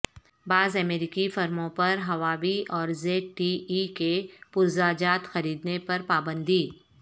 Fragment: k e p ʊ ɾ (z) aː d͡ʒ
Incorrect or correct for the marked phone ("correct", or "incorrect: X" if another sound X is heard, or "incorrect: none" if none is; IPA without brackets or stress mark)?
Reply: correct